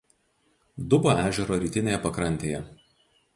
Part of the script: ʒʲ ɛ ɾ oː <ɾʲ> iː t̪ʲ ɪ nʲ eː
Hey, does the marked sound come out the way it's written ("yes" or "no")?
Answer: yes